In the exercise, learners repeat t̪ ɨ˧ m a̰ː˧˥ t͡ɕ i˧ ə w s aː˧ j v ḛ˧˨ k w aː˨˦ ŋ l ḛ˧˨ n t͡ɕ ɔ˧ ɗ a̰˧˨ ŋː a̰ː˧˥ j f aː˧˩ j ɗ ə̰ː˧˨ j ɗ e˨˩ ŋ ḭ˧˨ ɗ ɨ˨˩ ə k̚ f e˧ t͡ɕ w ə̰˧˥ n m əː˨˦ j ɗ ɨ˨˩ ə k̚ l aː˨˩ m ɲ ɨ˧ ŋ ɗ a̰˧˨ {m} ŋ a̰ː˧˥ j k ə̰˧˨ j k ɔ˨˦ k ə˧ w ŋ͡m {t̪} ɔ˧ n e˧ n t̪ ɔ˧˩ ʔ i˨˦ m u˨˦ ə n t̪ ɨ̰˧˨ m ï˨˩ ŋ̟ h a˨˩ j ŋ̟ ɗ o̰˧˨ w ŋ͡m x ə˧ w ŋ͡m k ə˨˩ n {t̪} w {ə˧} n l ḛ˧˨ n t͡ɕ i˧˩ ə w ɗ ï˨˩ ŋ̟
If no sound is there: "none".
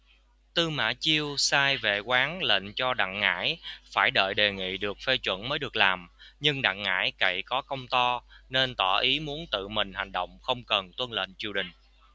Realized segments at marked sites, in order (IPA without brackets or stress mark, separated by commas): ŋ, t̪, t̪, ə˧